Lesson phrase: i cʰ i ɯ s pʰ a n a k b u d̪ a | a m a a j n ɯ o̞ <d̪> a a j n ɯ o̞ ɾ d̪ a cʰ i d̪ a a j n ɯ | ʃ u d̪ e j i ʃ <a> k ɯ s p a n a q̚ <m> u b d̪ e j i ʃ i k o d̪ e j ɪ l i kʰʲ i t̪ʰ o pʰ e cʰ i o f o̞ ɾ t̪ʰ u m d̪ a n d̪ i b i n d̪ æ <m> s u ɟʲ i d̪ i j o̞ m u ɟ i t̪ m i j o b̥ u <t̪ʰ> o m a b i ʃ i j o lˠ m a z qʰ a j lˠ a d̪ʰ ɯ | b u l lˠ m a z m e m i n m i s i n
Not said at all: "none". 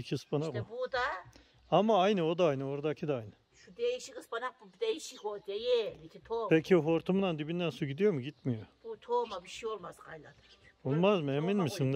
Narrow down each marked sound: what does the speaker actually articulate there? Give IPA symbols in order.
d̪, i, b, n, t̪ʰ

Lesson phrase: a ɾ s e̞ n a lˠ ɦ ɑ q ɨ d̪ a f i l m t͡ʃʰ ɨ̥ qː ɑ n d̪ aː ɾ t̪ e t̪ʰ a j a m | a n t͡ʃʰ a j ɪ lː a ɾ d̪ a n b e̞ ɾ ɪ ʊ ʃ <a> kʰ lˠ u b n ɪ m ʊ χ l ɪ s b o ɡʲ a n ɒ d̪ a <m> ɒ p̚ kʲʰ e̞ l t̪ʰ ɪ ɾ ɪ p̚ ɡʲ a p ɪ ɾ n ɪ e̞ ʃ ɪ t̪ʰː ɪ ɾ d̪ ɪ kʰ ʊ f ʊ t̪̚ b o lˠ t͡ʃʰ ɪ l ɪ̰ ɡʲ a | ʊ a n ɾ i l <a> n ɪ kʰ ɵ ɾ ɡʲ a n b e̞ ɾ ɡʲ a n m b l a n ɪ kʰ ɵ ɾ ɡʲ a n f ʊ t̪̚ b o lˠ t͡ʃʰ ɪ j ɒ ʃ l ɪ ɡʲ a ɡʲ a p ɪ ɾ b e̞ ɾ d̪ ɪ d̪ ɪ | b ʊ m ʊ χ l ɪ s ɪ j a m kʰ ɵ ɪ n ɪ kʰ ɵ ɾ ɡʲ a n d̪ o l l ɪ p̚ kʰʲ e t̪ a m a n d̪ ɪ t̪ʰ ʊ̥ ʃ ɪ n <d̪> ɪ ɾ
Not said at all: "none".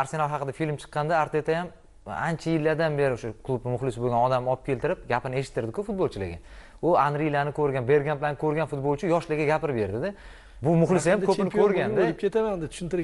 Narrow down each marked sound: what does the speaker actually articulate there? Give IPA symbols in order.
a, m, a, t̪

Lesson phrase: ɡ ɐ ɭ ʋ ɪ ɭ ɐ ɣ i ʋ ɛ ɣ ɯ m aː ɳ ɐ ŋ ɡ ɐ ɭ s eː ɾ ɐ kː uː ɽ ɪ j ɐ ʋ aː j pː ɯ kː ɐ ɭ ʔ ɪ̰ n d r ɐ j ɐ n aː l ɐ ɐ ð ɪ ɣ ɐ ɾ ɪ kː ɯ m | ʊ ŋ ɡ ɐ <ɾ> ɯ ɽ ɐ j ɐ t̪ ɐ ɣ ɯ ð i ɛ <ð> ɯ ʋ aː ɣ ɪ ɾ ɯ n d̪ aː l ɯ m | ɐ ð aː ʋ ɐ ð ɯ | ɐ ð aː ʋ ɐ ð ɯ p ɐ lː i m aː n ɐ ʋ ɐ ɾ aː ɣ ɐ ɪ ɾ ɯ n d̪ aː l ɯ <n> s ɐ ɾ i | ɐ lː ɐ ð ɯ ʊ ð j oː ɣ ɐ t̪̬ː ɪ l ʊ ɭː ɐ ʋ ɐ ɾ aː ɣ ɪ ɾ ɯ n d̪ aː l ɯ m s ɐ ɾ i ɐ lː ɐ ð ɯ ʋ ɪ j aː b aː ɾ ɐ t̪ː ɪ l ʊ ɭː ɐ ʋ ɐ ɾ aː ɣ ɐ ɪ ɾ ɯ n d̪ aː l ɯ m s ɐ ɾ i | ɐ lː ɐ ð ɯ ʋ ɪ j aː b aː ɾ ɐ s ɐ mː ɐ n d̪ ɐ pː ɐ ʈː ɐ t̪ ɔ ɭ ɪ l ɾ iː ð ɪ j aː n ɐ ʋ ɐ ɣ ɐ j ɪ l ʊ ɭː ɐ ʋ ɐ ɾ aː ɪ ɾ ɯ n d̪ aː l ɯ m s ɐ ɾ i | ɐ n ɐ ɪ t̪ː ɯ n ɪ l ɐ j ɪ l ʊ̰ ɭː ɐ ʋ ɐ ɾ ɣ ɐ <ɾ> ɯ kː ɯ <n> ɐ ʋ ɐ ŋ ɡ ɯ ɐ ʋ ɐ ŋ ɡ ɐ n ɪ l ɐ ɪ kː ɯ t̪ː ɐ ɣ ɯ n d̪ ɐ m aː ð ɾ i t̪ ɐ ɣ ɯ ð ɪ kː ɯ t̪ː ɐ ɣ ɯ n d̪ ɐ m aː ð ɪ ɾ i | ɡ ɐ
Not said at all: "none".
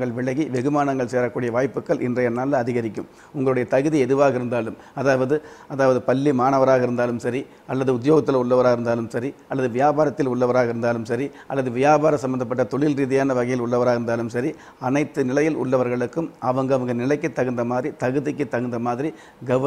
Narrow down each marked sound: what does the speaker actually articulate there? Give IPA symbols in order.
ɭ, ð, m, ɭ, m

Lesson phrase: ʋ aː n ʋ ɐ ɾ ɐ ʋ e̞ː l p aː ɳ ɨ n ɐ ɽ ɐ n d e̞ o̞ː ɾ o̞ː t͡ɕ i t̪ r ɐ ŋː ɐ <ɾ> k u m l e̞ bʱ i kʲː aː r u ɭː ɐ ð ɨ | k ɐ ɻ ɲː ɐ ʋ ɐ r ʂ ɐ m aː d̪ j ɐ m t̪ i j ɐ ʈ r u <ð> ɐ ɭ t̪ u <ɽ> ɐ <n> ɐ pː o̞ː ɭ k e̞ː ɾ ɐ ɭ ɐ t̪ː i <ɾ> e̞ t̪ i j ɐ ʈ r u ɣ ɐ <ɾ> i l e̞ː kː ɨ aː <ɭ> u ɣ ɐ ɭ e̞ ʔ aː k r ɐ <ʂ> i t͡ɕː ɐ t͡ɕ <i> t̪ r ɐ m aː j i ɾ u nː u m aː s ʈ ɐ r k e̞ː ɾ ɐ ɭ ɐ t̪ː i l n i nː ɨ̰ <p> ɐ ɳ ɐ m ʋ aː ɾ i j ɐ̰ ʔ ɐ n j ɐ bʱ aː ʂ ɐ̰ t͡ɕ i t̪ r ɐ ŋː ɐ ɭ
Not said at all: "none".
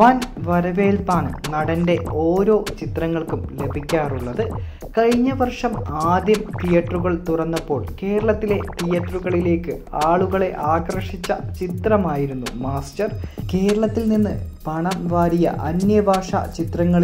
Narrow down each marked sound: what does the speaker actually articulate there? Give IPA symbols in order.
ɭ, ɣ, r, nː, l, ɭ, ɭ, ʂ, i, p

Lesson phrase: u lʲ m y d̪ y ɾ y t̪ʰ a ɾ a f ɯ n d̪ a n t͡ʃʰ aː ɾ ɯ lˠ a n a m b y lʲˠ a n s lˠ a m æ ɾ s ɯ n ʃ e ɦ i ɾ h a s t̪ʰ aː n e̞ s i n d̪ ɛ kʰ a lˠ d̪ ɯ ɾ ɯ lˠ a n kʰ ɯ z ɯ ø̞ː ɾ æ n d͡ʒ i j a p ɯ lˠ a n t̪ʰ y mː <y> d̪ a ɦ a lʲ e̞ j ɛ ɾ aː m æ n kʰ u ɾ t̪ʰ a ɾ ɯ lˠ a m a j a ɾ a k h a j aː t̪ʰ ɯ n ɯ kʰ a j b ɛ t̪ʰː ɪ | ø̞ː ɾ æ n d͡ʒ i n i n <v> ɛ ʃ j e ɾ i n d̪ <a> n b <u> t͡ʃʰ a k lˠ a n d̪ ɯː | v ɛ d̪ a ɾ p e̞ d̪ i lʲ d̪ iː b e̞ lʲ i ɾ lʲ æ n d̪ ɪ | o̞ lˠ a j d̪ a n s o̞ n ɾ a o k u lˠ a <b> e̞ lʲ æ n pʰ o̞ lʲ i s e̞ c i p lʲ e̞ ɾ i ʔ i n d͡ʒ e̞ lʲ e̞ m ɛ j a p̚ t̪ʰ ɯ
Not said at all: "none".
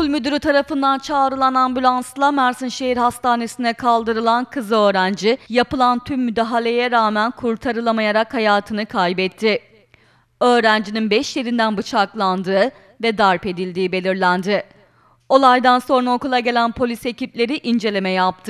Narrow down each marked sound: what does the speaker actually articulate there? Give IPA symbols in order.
y, b, æ, ɯ, ɟ

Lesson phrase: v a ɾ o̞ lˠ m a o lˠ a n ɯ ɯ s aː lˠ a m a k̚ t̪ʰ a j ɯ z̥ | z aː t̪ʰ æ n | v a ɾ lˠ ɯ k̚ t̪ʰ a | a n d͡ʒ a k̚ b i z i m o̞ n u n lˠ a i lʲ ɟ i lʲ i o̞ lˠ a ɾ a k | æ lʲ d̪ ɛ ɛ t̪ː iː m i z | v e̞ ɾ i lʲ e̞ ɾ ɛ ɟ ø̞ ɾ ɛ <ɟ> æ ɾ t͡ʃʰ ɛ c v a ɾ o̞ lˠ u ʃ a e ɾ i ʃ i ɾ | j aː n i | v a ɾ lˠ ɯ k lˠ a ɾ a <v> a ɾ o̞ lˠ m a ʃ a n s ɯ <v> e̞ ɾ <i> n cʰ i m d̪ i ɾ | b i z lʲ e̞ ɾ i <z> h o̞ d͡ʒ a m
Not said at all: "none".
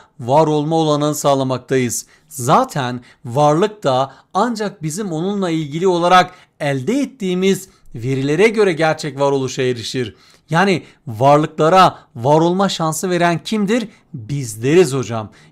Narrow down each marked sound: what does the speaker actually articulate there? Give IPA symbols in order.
ɟ, v, v, æ, z

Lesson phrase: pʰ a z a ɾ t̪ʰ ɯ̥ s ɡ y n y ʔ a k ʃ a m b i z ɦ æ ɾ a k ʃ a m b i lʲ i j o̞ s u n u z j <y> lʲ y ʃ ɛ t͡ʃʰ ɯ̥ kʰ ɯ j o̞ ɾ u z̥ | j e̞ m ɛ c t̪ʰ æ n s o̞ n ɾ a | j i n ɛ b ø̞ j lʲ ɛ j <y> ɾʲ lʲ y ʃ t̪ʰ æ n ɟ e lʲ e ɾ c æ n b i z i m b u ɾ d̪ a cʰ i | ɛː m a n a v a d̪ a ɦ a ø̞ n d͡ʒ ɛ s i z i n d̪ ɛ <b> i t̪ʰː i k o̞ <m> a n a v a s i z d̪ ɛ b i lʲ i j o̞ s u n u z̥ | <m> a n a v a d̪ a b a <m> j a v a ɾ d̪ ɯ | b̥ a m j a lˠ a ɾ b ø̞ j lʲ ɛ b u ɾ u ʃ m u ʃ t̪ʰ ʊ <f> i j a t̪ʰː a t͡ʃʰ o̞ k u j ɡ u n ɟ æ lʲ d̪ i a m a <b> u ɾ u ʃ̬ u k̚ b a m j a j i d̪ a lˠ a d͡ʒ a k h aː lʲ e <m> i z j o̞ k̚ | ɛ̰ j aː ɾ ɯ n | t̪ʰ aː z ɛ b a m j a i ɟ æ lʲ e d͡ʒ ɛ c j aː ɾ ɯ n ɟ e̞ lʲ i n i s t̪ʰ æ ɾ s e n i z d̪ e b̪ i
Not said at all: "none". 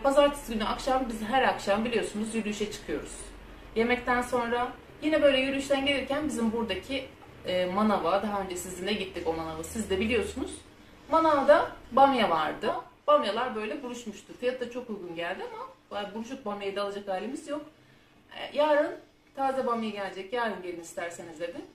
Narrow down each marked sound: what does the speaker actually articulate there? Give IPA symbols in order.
y, y, ɟ, m, m, m, f, b, m

